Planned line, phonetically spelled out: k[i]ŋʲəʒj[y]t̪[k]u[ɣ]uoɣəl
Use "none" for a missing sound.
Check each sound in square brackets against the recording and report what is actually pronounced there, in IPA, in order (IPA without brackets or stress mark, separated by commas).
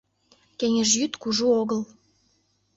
e, y, k, ʒ